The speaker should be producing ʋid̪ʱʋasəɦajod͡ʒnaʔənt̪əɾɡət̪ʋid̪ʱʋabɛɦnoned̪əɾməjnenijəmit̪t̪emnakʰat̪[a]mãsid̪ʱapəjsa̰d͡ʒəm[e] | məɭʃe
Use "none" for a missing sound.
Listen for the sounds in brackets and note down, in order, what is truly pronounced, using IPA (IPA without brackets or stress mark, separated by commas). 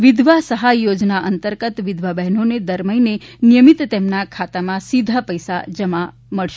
a, a